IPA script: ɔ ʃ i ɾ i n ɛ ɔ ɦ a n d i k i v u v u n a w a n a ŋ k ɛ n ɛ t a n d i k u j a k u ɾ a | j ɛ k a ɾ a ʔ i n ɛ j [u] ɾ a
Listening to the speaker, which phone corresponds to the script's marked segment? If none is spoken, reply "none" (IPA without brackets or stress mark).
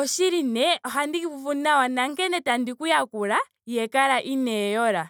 ɔ